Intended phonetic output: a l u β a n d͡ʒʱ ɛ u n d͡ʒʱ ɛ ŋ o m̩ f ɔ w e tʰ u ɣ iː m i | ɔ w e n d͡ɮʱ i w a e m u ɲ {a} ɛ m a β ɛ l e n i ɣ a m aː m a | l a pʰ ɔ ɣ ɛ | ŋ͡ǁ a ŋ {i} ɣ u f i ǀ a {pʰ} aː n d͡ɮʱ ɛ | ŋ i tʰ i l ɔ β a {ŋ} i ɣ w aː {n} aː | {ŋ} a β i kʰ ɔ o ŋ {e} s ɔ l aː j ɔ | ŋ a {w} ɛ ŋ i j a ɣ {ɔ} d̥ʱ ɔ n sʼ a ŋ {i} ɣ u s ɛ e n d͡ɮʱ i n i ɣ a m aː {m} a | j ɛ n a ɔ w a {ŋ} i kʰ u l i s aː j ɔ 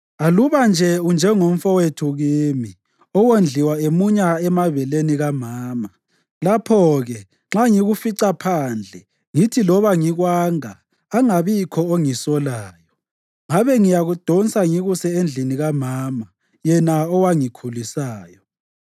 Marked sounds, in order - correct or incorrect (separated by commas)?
correct, correct, correct, correct, incorrect, correct, incorrect, incorrect, incorrect, correct, correct, correct